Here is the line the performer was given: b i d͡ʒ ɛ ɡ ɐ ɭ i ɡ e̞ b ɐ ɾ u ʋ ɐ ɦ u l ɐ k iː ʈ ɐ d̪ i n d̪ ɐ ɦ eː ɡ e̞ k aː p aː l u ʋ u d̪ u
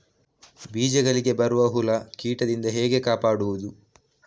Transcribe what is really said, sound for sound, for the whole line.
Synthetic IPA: b iː d͡ʒ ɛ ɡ ɐ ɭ i ɡ e̞ b ɐ ɾ u ʋ ɐ ɦ u l ɐ k iː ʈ ɐ d̪ i n d̪ ɐ ɦ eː ɡ e̞ k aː p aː ɽ u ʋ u d̪ u